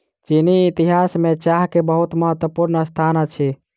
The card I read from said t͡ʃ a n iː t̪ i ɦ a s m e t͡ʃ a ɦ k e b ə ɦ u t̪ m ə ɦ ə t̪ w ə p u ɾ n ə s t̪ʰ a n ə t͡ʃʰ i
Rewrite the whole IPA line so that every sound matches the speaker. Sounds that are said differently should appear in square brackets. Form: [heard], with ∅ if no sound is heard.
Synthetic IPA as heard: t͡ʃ [i] n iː t̪ i ɦ a s m e t͡ʃ a ɦ k e b ə ɦ u t̪ m ə ɦ ə t̪ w ə p u ɾ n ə s t̪ʰ a n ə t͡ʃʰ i